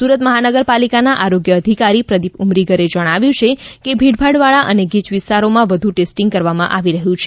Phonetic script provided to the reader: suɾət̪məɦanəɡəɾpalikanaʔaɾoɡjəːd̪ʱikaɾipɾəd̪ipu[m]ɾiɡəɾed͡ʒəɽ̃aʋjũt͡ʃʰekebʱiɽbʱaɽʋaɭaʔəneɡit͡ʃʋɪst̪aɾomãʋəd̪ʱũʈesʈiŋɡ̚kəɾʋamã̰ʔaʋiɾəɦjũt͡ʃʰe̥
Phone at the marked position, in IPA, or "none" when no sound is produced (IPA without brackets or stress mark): m